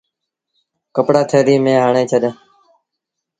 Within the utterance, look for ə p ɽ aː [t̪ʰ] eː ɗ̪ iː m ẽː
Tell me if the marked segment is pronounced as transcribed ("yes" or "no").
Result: yes